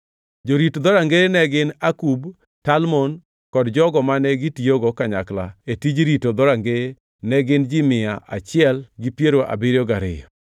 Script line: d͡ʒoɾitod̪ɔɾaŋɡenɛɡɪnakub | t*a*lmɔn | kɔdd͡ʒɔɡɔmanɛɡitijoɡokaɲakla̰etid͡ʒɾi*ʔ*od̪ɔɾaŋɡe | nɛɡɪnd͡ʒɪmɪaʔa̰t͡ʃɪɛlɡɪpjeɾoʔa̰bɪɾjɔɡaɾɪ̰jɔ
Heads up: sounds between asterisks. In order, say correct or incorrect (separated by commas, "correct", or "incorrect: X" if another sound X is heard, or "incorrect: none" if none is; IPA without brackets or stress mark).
correct, incorrect: t